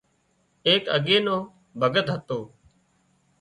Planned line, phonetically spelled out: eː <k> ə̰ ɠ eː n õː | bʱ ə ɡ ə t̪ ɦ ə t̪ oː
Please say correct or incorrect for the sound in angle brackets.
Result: correct